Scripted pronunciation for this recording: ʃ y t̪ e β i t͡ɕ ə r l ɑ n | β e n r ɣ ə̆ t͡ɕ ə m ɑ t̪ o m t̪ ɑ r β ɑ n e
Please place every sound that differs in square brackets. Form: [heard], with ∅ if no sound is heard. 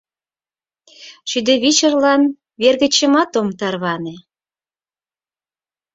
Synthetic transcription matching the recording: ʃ y [d̪] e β i t͡ɕ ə r l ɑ n | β e [∅] r ɣ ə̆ t͡ɕ ə m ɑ t̪ o m t̪ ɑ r β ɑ n e